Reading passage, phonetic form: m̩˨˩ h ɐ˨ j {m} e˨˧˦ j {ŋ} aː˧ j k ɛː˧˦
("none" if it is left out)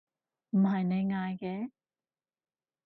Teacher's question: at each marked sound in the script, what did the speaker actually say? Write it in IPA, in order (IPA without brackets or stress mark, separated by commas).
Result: n, ŋ